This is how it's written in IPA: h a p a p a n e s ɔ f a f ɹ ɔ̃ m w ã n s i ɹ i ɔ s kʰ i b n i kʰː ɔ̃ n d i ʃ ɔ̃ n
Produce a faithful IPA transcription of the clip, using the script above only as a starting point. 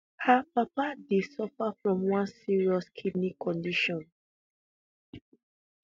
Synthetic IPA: h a p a p a d e s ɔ f a f ɹ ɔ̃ m w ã n s i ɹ i ɔ s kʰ i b n i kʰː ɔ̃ n d i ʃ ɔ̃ n